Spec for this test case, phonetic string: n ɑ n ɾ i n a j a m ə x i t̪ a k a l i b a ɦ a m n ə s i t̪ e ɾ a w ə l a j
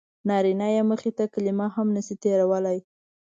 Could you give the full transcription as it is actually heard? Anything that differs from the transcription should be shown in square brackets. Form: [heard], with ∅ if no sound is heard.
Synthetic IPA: n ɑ [∅] ɾ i n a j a m ə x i t̪ a k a l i [m] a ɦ a m n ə s i t̪ e ɾ a w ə l a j